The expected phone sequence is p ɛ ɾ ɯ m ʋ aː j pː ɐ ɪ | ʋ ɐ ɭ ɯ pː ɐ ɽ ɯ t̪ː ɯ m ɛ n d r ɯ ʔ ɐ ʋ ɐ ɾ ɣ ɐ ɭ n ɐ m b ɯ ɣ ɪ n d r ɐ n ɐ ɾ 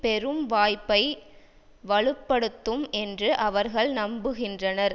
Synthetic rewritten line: p ɛ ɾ ɯ m ʋ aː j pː ɐ ɪ | ʋ ɐ ɭ ɯ pː ɐ ɽ ɯ t̪ː ɯ m ɛ n d r ɯ ʔ ɐ ʋ ɐ ɾ ɣ ɐ ɭ n ɐ m b ɯ ɣ ɪ n d r ɐ n ɐ ɾ